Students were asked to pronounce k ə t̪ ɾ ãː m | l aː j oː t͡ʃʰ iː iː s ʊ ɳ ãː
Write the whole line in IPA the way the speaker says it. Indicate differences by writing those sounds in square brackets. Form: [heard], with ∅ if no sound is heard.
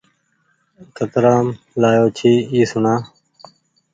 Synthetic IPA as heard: k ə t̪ ɾ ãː m | l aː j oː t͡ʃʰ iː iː s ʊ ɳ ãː